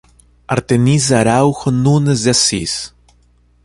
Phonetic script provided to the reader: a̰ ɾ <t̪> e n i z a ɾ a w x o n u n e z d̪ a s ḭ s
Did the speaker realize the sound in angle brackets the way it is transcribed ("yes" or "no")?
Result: yes